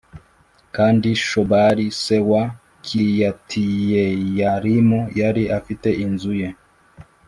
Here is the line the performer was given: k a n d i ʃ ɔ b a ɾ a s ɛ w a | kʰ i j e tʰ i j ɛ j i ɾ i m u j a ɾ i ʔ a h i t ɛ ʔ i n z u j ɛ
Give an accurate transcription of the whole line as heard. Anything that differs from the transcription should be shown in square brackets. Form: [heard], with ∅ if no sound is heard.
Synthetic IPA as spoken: k a n d i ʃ ɔ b a ɾ [i] s ɛ w a | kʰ i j [a] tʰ i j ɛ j [a] ɾ i m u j a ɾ i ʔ a [f] i t ɛ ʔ i n z u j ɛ